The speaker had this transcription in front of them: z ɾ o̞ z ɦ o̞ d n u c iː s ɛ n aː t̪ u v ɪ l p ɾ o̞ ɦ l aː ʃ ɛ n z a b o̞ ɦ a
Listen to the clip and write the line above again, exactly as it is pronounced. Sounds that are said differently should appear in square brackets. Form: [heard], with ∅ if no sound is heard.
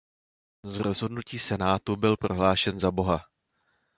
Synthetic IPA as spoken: z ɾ o̞ z ɦ o̞ d n u c iː s ɛ n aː t̪ u [b] ɪ l p ɾ o̞ ɦ l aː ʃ ɛ n z a b o̞ ɦ a